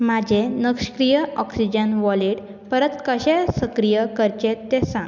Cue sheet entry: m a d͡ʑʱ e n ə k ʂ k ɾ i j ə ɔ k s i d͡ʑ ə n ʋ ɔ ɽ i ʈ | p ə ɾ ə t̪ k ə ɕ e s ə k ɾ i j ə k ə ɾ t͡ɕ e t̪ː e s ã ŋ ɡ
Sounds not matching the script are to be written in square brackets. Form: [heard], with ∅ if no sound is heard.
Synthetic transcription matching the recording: m a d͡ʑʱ e n ə k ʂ k ɾ i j ə ɔ k s i d͡ʑ ə n ʋ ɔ [l] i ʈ | p ə ɾ ə t̪ k ə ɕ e s ə k ɾ i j ə k ə ɾ t͡ɕ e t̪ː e s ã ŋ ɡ